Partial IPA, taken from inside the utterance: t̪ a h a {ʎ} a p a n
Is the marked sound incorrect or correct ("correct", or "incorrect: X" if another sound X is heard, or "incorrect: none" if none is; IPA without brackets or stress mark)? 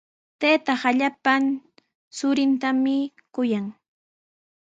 correct